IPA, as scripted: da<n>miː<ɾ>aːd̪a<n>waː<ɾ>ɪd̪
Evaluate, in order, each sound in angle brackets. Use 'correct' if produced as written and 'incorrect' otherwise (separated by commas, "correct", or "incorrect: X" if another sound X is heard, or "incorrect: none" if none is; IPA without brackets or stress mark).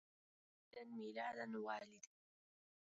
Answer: correct, incorrect: l, correct, incorrect: l